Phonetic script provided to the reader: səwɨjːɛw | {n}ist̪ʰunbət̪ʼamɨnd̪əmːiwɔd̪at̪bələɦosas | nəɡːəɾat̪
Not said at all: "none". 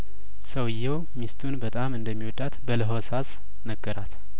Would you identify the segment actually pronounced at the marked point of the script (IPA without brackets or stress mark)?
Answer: m